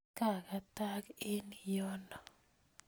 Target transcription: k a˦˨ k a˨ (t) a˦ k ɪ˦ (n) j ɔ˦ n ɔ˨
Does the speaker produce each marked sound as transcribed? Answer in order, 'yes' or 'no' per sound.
yes, yes

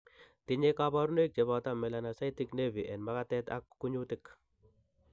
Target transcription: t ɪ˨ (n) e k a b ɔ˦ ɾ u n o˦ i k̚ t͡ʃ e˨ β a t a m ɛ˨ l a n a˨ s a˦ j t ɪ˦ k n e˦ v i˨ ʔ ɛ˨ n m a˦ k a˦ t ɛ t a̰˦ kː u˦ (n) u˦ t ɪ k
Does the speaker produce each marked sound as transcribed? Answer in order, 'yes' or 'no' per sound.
no, no

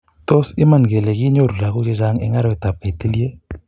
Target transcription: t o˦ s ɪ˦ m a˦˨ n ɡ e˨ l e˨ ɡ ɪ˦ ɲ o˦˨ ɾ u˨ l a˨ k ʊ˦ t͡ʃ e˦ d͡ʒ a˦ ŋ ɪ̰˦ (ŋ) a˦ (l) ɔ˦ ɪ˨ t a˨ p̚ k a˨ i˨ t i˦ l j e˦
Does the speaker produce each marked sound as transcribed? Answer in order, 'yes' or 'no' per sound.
yes, no

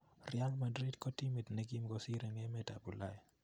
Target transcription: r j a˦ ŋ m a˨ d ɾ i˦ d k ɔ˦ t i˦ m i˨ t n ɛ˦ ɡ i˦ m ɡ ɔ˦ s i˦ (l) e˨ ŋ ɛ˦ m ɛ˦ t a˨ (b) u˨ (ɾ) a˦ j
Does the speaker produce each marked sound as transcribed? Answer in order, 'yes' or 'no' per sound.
no, yes, no

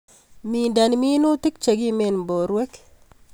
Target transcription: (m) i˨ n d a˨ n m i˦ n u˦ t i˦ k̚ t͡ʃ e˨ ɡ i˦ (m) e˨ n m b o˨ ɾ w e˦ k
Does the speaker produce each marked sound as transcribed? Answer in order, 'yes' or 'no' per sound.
yes, yes

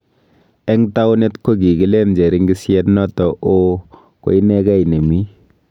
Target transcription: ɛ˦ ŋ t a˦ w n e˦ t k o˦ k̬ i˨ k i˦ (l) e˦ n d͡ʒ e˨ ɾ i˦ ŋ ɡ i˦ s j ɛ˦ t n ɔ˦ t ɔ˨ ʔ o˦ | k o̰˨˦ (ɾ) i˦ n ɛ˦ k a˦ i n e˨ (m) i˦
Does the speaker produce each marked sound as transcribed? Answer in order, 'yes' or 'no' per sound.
yes, no, yes

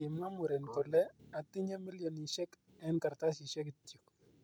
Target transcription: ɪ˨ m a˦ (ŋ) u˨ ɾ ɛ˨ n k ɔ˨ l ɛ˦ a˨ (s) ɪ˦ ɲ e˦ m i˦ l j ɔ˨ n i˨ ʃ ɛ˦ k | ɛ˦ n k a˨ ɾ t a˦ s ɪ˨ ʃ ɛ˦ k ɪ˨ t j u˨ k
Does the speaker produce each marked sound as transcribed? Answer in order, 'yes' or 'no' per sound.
no, no

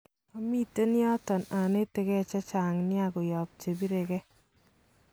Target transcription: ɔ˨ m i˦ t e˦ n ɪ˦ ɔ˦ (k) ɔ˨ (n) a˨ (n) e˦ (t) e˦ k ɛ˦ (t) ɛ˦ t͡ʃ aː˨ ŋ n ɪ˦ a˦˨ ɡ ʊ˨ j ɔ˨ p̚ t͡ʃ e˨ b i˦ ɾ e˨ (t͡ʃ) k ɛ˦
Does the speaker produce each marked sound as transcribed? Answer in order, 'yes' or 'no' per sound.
no, yes, yes, yes, no, no

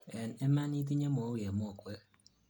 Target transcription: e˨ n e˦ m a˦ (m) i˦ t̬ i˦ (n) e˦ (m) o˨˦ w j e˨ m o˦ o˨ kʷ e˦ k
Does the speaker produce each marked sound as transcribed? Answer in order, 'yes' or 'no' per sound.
no, no, yes

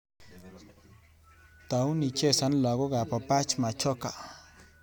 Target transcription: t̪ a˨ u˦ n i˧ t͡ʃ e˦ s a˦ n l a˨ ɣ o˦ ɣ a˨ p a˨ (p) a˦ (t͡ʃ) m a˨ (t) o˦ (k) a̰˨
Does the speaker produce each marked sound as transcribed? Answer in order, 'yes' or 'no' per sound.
yes, yes, no, yes

